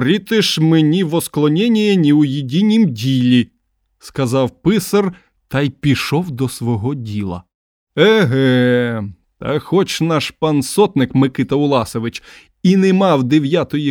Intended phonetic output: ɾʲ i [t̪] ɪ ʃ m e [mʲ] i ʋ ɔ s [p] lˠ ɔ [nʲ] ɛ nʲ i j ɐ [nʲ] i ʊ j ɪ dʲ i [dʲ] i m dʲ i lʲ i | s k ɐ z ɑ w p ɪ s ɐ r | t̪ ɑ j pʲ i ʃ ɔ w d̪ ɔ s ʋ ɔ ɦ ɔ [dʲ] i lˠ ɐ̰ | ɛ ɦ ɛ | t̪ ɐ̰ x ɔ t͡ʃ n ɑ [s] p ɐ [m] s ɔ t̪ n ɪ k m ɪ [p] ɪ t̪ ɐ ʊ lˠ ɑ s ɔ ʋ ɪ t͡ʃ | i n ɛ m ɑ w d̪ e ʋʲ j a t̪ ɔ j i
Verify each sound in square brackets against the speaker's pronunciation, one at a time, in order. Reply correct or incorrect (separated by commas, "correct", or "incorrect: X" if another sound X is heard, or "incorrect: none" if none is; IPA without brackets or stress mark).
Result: correct, incorrect: nʲ, incorrect: k, correct, correct, incorrect: nʲ, correct, incorrect: ʃ, incorrect: n, incorrect: k